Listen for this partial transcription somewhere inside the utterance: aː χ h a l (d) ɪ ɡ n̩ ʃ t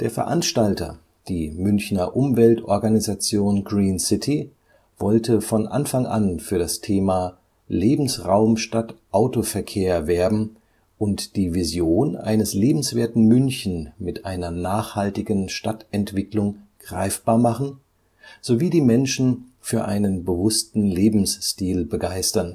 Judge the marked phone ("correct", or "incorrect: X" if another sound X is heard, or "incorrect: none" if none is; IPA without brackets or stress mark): incorrect: t